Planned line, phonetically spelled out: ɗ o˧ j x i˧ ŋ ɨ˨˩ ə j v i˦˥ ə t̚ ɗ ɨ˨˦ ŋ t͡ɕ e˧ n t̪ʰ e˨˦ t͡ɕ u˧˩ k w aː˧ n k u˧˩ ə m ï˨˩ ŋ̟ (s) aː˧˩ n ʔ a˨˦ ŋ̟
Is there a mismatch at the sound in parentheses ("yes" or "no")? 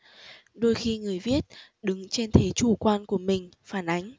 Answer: yes